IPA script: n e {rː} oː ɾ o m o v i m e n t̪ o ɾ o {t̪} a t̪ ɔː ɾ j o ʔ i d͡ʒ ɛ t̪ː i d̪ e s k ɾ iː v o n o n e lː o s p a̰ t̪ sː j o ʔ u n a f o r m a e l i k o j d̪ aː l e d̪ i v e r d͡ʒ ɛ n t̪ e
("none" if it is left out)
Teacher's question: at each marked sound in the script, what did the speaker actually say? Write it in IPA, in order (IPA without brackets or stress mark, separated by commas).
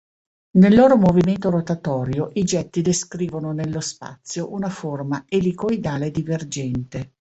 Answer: lː, t̪